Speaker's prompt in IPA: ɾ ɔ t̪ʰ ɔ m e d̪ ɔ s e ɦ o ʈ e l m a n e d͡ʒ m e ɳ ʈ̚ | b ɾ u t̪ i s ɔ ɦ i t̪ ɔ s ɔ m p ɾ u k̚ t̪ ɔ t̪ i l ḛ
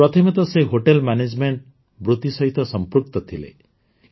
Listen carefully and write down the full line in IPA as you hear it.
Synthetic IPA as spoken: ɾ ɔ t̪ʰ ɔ m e t̪ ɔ s e ɦ o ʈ e l m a n e d͡ʒ m e ɳ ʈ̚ | b ɾ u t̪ i s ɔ ɦ i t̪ ɔ s ɔ m p ɾ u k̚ t̪ ɔ t̪ʰ i l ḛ